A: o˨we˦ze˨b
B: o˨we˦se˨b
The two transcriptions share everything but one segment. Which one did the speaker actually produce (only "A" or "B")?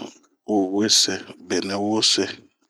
B